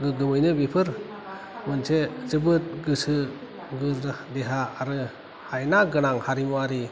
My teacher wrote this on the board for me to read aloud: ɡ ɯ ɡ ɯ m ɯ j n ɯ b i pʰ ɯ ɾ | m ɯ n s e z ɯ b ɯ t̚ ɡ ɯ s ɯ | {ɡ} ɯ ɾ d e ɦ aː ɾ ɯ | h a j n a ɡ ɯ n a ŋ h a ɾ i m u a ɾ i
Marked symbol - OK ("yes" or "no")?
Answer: yes